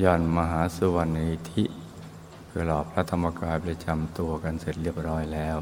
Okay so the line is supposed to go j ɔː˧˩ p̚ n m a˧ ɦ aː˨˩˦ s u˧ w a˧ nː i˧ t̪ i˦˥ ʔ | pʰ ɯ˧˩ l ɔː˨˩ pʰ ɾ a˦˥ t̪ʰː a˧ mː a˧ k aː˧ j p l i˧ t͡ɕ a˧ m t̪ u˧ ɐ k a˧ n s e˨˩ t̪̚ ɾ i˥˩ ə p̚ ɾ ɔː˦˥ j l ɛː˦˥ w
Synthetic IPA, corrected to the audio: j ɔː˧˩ n m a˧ ɦ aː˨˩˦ s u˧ w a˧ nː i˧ t̪ʰ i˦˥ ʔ | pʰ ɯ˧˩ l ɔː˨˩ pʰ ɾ a˦˥ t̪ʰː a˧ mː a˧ k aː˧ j p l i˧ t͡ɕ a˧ m t̪ u˧ ɐ k a˧ n s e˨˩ t̪̚ ɾ i˥˩ ə p̚ ɾ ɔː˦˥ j l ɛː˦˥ w